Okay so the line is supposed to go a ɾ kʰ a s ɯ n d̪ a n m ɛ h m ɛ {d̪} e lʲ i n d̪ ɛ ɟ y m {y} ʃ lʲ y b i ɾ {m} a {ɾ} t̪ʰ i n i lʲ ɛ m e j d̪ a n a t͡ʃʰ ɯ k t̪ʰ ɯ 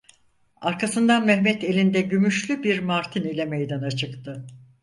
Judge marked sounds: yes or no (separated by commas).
no, yes, yes, yes